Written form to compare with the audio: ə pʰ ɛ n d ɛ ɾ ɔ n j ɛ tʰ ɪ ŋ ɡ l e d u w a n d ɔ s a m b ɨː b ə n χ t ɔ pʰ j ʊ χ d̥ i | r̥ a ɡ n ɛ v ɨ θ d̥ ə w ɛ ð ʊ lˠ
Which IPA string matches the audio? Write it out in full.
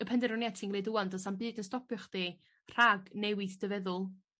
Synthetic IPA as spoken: ə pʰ ɛ n d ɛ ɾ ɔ n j ɛ tʰ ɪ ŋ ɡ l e d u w a n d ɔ s a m b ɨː d ə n s t ɔ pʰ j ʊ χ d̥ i | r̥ a ɡ n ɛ w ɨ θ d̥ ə v ɛ ð ʊ lˠ